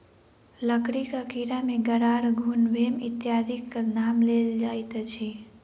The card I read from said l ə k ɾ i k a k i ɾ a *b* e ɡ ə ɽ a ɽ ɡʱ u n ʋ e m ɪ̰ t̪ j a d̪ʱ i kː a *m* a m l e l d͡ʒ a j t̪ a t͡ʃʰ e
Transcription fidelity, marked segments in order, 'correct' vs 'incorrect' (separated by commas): incorrect, incorrect